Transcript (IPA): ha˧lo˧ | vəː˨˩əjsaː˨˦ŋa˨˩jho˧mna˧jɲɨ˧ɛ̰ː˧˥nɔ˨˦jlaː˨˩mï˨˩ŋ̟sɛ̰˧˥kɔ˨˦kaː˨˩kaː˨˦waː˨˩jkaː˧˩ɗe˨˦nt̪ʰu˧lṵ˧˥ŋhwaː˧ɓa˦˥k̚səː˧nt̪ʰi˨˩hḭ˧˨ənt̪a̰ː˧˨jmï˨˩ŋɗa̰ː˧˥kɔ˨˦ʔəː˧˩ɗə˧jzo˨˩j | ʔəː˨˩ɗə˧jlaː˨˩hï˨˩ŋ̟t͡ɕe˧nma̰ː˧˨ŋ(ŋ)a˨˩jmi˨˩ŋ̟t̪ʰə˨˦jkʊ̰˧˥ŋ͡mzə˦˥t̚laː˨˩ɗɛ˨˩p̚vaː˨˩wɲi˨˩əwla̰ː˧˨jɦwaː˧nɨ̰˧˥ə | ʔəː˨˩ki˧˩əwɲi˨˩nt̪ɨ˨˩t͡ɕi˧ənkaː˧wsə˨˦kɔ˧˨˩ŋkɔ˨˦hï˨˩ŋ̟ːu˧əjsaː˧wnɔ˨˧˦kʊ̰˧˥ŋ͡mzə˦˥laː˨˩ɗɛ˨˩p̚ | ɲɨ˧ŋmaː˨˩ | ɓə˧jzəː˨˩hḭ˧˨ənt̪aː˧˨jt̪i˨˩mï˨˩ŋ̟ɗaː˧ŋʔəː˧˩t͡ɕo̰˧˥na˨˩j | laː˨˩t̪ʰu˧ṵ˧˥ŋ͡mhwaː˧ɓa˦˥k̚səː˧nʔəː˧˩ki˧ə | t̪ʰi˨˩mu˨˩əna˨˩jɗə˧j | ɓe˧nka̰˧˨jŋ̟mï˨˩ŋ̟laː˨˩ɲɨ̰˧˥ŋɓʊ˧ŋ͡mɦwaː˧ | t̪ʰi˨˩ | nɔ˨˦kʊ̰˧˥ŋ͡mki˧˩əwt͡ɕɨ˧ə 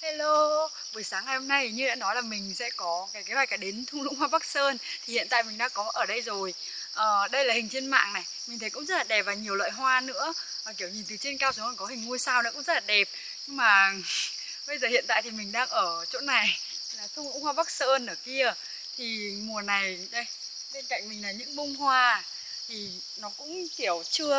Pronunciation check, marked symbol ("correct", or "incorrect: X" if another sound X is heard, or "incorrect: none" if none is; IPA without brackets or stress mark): incorrect: n